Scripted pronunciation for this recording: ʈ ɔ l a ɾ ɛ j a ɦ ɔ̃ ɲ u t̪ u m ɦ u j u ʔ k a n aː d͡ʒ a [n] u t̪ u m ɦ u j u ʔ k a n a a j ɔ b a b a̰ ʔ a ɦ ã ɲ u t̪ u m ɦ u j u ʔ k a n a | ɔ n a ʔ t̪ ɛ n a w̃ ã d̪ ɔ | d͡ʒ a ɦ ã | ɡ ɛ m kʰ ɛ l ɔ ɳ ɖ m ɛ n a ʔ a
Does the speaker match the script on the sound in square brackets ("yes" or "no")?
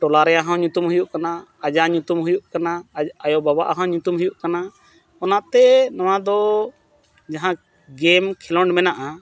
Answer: no